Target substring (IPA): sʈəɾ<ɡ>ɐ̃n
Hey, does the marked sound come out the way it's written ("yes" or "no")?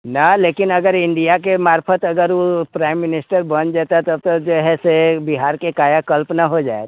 no